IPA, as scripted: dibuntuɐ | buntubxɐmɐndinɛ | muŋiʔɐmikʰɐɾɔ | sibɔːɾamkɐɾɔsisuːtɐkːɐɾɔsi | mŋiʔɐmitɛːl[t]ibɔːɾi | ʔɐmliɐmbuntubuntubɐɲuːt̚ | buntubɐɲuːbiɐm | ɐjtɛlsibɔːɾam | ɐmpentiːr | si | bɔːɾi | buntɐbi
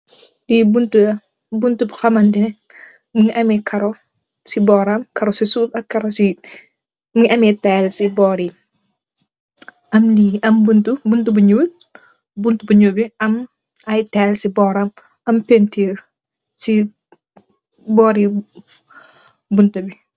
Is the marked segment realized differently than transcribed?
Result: yes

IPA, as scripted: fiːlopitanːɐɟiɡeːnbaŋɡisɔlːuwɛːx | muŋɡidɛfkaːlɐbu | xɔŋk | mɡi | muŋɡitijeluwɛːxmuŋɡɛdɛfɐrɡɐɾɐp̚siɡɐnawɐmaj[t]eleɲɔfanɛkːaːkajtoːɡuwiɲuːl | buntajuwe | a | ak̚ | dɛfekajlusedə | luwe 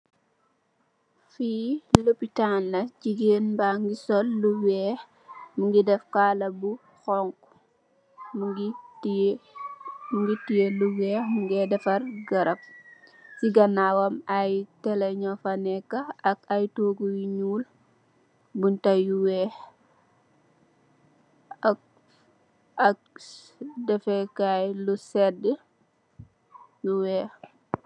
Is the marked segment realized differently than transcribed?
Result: no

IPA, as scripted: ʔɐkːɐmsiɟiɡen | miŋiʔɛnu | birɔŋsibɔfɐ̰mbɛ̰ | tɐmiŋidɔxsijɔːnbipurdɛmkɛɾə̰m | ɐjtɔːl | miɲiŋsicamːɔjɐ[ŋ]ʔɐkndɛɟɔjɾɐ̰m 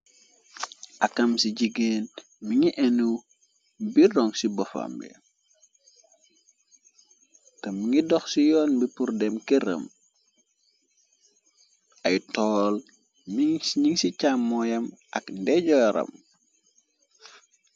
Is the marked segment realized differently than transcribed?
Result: yes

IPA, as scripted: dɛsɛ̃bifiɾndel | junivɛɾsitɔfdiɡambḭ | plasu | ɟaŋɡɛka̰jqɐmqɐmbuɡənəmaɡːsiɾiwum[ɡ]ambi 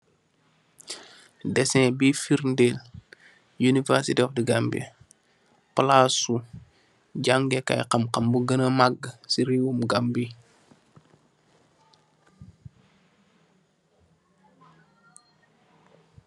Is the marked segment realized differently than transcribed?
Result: no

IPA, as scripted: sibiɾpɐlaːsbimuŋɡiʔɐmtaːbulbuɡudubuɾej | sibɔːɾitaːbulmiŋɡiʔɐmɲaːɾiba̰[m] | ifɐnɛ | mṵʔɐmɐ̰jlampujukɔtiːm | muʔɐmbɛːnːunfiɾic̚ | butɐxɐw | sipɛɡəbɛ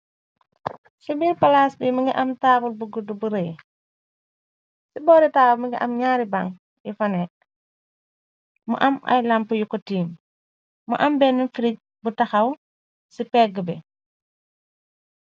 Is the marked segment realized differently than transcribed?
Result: yes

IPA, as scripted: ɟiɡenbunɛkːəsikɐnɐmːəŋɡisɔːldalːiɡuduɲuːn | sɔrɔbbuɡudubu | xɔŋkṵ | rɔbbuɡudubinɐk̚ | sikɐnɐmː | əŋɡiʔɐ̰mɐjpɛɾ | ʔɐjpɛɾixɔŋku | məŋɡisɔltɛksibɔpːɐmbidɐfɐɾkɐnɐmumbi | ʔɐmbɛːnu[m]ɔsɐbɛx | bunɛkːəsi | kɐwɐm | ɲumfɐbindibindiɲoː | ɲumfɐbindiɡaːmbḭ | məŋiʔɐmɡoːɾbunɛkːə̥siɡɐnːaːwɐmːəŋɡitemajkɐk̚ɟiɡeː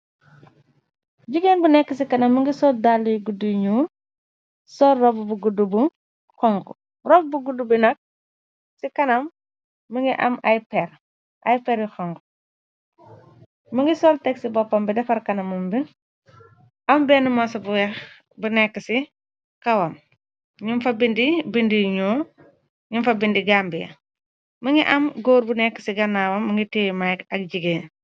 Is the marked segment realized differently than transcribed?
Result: no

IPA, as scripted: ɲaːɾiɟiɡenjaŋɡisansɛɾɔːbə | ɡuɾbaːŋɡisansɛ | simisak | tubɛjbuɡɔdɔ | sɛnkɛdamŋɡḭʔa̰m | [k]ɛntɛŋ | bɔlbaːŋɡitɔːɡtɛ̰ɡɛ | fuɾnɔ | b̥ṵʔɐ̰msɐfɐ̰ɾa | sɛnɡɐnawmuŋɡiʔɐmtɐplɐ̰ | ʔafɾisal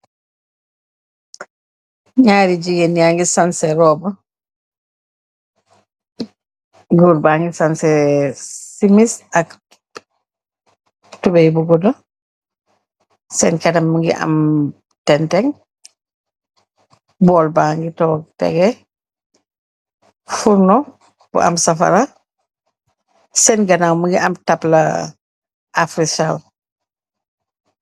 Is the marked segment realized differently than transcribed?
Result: yes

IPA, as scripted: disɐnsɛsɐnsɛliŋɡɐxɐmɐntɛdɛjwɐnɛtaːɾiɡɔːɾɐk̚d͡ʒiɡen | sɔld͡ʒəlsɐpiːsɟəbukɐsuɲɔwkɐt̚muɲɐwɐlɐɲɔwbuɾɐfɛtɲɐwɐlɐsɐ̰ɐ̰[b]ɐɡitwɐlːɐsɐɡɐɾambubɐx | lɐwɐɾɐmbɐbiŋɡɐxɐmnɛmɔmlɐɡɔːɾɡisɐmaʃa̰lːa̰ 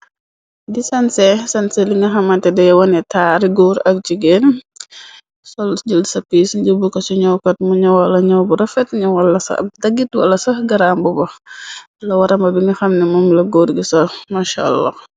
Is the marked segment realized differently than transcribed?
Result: yes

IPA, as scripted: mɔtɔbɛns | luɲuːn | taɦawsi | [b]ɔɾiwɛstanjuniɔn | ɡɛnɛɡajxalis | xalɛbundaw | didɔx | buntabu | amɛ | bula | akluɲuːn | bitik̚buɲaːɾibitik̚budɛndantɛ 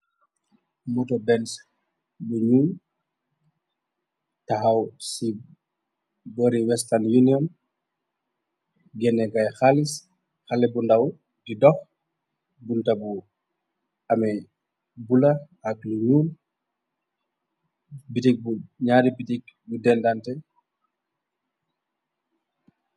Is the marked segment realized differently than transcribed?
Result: no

